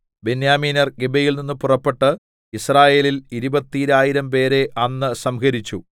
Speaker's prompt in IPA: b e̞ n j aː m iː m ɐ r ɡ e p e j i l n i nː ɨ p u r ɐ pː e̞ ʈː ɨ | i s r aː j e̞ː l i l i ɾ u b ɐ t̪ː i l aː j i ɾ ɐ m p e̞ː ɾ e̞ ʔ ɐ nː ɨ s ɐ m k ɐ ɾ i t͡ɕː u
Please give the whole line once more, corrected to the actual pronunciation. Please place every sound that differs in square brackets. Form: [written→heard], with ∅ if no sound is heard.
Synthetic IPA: b e̞ n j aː m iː [m→n] ɐ r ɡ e [p→b] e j i l n i nː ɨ p u r ɐ pː e̞ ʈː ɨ | i s r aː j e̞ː l i l i ɾ u b ɐ t̪ː i [l→ɾ] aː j i ɾ ɐ m p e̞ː ɾ e̞ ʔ ɐ nː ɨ s ɐ m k ɐ ɾ i t͡ɕː u

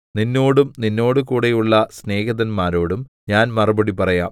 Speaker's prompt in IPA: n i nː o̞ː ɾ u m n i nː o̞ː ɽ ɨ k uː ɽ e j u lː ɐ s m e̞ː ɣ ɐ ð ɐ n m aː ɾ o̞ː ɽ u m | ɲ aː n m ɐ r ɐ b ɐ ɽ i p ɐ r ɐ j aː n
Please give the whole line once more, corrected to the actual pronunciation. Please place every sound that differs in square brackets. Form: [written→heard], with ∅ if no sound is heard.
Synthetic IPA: n i nː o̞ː [ɾ→ɽ] u m n i nː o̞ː ɽ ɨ k uː ɽ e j u [lː→ɭː] ɐ s [m→n] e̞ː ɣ ɐ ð ɐ n m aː ɾ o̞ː ɽ u m | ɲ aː n m ɐ r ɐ b ɐ ɽ i p ɐ r ɐ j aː [n→m]

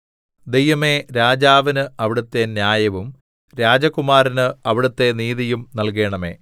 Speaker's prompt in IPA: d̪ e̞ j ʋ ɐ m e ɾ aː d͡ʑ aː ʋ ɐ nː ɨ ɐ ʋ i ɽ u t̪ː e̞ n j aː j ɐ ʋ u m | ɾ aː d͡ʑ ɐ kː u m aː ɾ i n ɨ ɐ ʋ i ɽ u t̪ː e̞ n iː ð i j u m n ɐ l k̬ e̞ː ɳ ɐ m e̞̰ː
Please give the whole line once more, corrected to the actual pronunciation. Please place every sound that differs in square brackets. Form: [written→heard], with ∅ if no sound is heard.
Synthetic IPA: d̪ e̞ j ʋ ɐ m e ɾ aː d͡ʑ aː ʋ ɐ [nː→n] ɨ ɐ ʋ i ɽ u t̪ː e̞ n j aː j ɐ ʋ u m | ɾ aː d͡ʑ ɐ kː u m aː ɾ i n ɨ ɐ ʋ i ɽ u t̪ː e̞ n iː ð i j u m n ɐ l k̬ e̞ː ɳ ɐ m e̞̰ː

